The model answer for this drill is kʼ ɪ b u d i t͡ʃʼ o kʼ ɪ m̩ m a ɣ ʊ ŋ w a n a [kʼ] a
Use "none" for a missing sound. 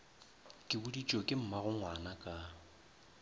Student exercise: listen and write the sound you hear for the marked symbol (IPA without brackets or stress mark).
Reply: kʼ